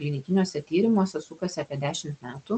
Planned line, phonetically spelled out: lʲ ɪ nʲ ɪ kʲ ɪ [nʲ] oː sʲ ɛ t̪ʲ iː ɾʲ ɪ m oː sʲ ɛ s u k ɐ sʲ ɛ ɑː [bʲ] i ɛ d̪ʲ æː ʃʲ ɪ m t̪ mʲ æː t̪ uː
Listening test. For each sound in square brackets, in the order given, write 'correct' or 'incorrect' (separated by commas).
correct, incorrect